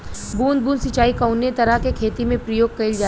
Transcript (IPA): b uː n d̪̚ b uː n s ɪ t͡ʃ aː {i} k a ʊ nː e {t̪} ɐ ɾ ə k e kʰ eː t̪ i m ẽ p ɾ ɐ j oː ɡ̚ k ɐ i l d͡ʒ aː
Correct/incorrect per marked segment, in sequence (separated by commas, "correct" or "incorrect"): correct, correct